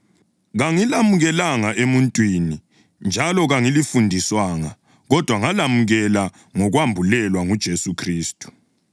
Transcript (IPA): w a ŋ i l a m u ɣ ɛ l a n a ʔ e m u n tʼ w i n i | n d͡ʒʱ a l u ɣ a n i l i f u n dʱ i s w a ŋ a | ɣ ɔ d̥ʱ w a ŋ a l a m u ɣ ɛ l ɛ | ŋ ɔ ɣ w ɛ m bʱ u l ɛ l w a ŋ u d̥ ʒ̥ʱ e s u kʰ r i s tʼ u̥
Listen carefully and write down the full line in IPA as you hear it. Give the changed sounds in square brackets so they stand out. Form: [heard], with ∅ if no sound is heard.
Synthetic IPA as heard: [ɣ] a ŋ i l a m u ɣ ɛ l a [ŋ] a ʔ e m u n tʼ w i n i | n d͡ʒʱ a l [ɔ] ɣ a [ŋ] i l i f u n dʱ i s w a ŋ a | ɣ ɔ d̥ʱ w a ŋ a l a m u ɣ ɛ l [a] | ŋ ɔ ɣ w [a] m bʱ u l ɛ l w a ŋ u d̥ ʒ̥ʱ e s u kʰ r [iː] s tʼ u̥